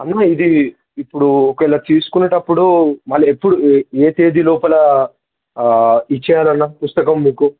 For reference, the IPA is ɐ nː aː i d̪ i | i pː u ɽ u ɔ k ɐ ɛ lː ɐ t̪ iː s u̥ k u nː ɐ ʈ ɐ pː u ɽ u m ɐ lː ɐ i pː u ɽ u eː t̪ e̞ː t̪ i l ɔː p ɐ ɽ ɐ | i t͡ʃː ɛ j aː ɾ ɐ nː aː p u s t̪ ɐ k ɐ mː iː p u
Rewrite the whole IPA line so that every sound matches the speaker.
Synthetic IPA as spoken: ɐ nː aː i d̪ i | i pː u ɽ u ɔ k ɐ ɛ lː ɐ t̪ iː s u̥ k u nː ɐ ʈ ɐ pː u ɽ u m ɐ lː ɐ e pː u ɽ u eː t̪ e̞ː d̪ i l ɔː p ɐ l ɐ | i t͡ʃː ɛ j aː l ɐ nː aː p u s t̪ ɐ k ɐ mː iː k u